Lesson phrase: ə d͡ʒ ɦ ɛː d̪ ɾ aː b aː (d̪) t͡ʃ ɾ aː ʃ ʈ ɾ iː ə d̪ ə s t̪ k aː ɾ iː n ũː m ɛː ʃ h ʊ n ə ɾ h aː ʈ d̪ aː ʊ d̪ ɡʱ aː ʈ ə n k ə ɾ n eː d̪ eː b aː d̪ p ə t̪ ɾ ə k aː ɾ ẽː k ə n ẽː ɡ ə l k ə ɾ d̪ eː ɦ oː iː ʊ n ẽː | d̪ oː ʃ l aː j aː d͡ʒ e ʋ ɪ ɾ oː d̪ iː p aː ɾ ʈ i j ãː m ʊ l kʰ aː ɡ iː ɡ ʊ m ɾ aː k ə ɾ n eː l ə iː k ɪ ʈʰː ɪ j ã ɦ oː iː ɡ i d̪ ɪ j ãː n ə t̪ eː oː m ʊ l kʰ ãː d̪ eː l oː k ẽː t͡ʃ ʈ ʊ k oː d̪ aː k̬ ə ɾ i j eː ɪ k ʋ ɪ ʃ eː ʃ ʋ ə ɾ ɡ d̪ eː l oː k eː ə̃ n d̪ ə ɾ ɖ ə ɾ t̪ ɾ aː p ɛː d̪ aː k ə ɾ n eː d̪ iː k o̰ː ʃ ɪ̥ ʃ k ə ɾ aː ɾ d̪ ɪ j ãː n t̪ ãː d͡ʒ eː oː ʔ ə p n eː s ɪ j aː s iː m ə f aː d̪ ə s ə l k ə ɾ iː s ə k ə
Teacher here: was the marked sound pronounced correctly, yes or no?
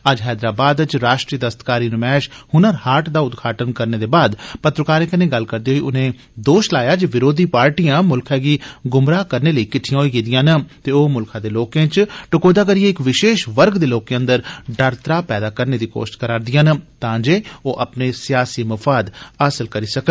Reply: yes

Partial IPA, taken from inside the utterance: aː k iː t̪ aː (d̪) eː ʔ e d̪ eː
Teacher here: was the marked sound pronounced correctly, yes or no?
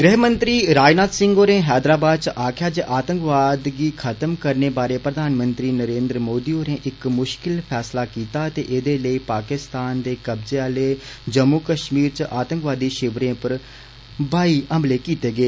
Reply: no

